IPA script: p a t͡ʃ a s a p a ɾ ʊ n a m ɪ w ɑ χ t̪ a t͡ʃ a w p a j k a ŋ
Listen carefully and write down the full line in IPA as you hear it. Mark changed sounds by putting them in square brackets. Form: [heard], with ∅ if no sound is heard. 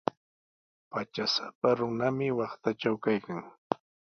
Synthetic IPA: p a t͡ʃ a s a p a ɾ ʊ n a m ɪ w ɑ χ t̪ a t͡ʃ a w [k] a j k a ŋ